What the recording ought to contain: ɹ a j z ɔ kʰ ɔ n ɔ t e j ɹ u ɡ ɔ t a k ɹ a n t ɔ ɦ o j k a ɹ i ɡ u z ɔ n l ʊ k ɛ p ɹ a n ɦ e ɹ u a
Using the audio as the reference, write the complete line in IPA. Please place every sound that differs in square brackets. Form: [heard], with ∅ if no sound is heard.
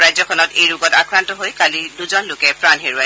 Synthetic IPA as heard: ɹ a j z ɔ kʰ ɔ n ɔ t e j ɹ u ɡ ɔ t a k ɹ a n t ɔ ɦ o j k a [l] i [d] u z ɔ n l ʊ k ɛ p ɹ a n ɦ e ɹ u a